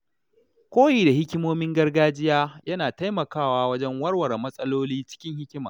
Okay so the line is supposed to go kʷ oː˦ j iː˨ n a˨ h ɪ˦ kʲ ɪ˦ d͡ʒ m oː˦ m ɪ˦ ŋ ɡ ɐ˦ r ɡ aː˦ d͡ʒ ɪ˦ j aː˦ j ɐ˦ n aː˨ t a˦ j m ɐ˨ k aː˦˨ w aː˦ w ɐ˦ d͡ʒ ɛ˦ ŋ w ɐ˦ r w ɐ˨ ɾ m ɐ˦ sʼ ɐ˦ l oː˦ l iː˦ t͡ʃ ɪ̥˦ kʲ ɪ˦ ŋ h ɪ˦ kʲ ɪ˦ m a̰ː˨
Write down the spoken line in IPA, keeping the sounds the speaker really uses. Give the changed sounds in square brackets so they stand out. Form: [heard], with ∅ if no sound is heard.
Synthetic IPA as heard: kʷ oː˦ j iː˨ [d] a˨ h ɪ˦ kʲ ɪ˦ [∅] m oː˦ m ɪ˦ ŋ ɡ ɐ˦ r ɡ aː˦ d͡ʒ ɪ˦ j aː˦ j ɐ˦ n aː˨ t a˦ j m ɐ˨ k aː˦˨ w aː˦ w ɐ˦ d͡ʒ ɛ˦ ŋ w ɐ˦ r w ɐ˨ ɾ m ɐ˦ sʼ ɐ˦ l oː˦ l iː˦ t͡ʃ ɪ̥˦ kʲ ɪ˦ ŋ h ɪ˦ kʲ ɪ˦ m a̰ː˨